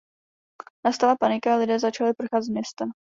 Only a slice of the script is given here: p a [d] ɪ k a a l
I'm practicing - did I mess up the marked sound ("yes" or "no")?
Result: yes